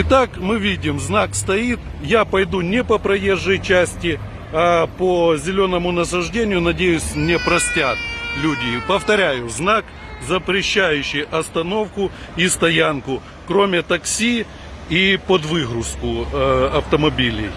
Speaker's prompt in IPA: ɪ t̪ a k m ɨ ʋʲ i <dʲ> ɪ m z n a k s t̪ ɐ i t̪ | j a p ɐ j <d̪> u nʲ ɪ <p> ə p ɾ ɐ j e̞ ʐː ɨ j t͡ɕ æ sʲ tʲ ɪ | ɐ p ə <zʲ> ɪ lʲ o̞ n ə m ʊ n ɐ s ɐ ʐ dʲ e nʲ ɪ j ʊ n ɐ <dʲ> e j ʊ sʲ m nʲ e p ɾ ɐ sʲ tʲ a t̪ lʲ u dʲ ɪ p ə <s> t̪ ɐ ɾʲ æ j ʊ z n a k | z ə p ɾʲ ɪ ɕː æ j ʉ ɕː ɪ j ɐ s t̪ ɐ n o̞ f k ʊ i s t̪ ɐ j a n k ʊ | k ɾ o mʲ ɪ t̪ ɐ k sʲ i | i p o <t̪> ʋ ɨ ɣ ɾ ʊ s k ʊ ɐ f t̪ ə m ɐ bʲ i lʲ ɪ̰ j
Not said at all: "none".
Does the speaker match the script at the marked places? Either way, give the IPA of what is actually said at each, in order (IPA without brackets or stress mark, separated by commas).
dʲ, d̪, p, zʲ, dʲ, f, d̪